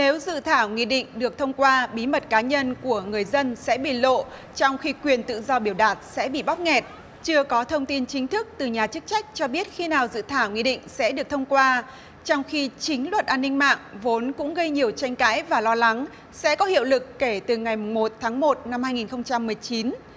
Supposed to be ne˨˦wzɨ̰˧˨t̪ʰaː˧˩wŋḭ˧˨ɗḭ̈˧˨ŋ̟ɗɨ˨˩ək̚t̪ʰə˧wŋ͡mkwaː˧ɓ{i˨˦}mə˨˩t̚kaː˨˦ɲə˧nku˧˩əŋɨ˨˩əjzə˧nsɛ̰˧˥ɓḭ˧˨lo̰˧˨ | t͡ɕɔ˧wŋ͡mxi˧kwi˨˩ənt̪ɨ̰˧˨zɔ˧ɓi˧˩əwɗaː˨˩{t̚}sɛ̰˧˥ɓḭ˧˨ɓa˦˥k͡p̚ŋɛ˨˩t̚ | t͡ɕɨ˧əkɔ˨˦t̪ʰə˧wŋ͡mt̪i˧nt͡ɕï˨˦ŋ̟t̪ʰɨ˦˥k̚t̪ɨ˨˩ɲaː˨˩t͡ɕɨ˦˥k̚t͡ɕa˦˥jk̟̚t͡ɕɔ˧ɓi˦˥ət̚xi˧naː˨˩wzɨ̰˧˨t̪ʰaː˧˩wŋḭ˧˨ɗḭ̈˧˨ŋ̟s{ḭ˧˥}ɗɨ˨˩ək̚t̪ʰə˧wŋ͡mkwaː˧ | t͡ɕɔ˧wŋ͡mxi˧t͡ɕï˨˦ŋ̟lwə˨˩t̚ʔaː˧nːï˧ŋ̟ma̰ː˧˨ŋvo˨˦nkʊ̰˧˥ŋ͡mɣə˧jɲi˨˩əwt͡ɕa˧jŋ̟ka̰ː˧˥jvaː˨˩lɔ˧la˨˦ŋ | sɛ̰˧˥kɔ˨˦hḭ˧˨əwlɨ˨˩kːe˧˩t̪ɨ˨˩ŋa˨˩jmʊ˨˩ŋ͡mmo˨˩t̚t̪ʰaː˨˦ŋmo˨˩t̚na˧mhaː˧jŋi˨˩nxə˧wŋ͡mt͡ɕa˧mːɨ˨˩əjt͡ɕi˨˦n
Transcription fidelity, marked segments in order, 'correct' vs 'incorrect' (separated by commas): correct, correct, incorrect